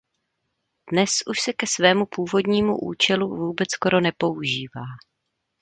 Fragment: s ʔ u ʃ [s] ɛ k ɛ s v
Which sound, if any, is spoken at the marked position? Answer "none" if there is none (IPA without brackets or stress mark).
s